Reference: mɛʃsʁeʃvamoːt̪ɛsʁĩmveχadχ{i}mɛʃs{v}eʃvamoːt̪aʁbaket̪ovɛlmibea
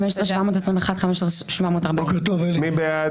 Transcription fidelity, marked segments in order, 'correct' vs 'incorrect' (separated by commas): incorrect, incorrect